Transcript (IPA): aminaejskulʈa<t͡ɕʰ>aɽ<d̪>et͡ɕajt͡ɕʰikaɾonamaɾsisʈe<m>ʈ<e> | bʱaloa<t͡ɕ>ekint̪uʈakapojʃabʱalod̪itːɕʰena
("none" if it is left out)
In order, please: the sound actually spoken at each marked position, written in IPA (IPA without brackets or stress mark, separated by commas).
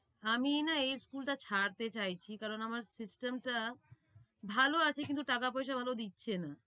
t͡ɕʰ, t̪, m, a, t͡ɕʰ